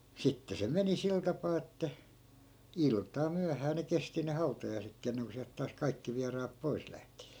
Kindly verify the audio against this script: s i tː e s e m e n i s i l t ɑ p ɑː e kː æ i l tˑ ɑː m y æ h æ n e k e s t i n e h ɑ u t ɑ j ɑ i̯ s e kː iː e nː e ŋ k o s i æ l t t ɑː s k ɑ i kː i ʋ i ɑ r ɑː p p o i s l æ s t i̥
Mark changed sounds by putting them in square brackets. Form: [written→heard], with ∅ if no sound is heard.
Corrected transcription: s i tː e s e m e n i s i l t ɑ p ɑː e [kː→tː] æ i l tˑ ɑː m y æ h [æ→æː] n e k e s t i n e h ɑ u t ɑ j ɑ i̯ s e kː iː e nː e ŋ k o s i æ l t t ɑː s k ɑ i kː i ʋ i ɑ r ɑː p p o i s l æ [s→h] t i̥